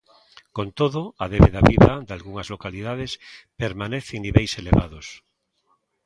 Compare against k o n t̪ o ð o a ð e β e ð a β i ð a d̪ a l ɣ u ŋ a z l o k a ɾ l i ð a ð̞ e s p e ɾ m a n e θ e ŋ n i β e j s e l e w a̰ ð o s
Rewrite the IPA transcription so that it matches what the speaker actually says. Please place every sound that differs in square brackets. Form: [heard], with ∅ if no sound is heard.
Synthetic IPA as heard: k o n t̪ o ð o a ð e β e ð a β i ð a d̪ a l ɣ u ŋ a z l o k a [∅] l i ð a ð̞ e s p e ɾ m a n e θ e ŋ n i β e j s e l e [β] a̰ ð o s